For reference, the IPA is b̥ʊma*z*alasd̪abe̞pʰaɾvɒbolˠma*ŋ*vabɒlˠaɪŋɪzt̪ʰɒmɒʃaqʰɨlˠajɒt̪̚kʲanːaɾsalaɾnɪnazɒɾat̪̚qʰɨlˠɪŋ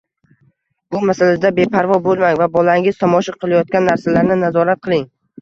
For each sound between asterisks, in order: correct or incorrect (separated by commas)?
incorrect, correct